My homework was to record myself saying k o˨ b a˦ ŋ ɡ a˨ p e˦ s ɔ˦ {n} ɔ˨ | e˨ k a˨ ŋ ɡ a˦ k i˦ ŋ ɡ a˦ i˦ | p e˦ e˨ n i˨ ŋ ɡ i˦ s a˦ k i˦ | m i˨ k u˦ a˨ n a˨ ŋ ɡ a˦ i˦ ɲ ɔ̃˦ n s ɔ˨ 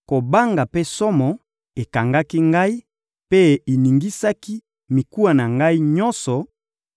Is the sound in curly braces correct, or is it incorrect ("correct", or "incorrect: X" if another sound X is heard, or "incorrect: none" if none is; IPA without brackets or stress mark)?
incorrect: m